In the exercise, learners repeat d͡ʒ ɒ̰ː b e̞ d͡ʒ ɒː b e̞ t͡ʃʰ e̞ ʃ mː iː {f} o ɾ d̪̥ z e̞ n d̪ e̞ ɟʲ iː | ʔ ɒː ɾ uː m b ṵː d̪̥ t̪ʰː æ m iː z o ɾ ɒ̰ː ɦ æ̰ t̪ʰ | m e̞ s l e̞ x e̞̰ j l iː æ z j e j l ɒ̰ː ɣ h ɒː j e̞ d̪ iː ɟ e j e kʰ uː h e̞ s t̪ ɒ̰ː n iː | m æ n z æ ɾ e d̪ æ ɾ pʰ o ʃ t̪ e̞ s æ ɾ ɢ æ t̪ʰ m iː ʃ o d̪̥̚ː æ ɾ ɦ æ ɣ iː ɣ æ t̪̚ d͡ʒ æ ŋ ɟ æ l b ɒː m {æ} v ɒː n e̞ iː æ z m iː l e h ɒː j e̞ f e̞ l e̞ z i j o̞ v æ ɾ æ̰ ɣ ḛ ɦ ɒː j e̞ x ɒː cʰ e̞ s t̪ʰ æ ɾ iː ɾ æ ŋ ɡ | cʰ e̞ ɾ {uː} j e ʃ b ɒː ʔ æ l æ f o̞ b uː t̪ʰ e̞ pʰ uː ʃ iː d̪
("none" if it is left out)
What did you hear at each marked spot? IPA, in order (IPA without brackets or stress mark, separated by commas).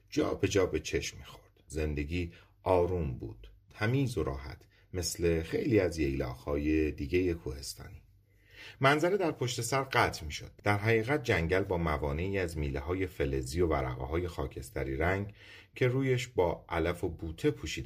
x, æ, uː